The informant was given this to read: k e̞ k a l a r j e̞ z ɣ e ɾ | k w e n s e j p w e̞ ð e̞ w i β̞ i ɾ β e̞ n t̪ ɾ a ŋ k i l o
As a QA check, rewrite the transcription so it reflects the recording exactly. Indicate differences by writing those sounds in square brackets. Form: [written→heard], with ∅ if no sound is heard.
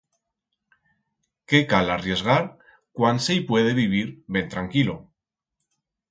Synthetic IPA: k e̞ k a l a r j e̞ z ɣ [e→a] ɾ | k w [e→a] n s e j p w e̞ ð e̞ [w→β] i β̞ i ɾ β e̞ n t̪ ɾ a ŋ k i l o